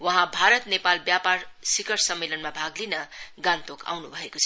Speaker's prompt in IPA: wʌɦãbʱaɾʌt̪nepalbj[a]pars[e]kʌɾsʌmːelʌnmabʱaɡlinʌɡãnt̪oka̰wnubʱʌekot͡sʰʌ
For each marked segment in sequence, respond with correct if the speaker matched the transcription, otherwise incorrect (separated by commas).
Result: correct, incorrect